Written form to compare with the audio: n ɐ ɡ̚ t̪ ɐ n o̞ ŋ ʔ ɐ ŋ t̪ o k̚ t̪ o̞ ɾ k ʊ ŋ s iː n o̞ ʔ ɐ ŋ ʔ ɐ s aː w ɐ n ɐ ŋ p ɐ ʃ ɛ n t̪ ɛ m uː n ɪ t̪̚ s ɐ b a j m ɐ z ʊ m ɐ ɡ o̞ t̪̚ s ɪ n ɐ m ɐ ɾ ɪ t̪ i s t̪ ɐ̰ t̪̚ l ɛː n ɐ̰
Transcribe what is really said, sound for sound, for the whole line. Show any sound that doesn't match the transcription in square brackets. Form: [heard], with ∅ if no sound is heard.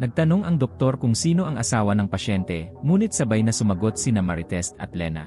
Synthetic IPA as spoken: n ɐ ɡ̚ t̪ ɐ n o̞ ŋ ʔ ɐ ŋ [d̪] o k̚ t̪ o̞ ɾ k ʊ ŋ s iː n o̞ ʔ ɐ ŋ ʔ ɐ s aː w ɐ n ɐ ŋ p ɐ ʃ ɛ n t̪ ɛ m uː n ɪ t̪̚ s ɐ b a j [n] ɐ [s] ʊ m ɐ ɡ o̞ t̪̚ s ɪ n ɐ m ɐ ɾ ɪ t̪ [ɛ] s t̪ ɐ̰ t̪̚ l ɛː n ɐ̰